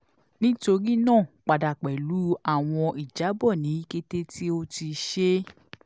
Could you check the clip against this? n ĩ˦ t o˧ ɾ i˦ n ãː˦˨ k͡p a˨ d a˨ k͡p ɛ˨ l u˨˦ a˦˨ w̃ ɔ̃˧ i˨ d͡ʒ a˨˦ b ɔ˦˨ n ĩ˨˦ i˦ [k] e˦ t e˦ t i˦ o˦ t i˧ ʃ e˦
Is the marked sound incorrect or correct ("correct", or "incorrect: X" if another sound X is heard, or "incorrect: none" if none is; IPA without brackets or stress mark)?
correct